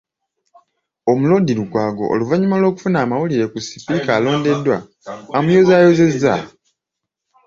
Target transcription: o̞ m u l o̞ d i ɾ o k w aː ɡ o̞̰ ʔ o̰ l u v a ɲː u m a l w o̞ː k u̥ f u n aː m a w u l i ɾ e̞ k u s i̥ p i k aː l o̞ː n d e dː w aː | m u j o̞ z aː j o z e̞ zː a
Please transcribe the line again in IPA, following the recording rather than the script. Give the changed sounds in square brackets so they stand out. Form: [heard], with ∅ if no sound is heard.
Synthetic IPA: o̞ m u l o̞ d i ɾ [u] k w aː ɡ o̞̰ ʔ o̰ l u v a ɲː u m a l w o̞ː k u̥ f u n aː m a w u l i ɾ e̞ k u s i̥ p i k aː l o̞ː n d e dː w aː | m u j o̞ z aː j o z e̞ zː a